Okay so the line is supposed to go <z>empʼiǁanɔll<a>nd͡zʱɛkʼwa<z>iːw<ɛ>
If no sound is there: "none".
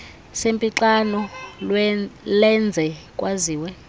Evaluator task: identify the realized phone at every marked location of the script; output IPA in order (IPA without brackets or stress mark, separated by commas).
s, ɛ, z, ɛ